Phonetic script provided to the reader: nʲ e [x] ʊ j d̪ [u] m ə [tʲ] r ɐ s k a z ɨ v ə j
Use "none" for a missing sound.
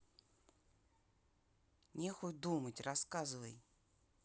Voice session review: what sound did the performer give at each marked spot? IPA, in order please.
x, u, tʲ

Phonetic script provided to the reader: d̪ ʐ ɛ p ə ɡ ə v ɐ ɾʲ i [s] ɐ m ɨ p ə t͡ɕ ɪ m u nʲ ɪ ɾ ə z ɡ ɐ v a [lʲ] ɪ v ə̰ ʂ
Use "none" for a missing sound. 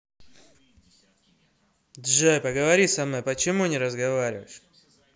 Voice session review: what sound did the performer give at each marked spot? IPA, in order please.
s, ɾʲ

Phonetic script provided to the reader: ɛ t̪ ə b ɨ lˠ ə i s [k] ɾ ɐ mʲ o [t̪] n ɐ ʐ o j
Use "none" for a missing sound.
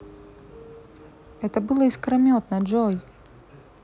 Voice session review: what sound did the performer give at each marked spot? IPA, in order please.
k, t̪

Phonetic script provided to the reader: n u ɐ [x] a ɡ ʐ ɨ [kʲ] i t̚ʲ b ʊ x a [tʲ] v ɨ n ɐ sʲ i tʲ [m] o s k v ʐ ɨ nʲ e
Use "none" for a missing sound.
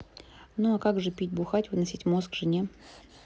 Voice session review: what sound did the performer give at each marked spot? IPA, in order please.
k, pʲ, tʲ, m

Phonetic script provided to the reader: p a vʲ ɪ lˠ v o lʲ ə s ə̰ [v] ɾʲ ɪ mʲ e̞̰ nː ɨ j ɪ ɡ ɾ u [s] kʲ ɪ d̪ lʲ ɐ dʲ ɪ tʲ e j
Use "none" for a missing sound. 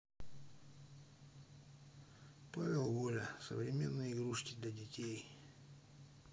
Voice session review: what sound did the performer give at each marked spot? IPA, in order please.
v, ʂ

